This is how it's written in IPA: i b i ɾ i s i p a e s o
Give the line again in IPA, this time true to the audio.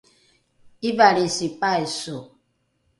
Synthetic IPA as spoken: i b a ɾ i s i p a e s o